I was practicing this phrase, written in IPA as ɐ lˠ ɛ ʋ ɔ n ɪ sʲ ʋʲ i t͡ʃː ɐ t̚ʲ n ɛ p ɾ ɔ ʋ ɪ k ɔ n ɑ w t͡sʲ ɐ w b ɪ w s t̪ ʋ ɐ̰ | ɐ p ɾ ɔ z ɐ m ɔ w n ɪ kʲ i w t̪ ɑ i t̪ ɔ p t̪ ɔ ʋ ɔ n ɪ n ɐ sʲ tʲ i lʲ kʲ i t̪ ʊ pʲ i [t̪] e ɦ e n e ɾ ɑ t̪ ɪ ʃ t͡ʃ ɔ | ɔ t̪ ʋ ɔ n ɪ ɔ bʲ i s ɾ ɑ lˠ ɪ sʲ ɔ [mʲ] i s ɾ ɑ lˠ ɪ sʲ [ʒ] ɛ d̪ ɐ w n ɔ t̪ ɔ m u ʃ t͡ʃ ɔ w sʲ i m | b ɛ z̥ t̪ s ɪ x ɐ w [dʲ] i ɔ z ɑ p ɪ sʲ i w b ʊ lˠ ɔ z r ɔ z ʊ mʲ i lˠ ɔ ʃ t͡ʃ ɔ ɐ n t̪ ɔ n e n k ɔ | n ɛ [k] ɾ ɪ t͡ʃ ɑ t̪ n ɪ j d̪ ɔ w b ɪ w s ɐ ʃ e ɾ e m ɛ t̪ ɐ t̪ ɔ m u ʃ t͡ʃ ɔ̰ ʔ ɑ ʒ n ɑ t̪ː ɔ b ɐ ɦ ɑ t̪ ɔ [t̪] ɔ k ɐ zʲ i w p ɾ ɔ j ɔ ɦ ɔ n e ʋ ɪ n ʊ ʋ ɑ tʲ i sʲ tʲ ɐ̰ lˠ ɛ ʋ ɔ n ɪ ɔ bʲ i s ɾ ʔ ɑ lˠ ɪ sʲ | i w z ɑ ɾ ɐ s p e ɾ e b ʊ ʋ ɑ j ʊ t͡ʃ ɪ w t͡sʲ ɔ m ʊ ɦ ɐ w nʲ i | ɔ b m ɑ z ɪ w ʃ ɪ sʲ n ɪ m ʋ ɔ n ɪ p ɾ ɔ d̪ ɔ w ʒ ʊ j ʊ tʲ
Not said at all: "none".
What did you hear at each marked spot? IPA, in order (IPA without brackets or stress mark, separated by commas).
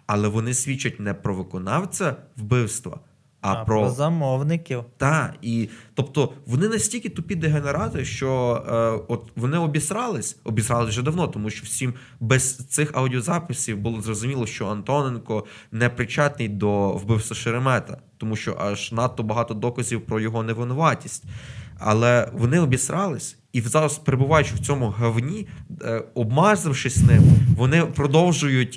d̪, bʲ, ʒ, dʲ, p, d̪